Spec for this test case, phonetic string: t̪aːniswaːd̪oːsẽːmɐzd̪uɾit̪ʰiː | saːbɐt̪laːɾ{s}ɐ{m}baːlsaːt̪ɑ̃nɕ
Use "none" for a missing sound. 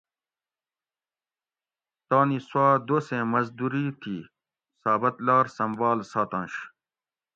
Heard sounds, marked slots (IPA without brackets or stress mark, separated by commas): s, m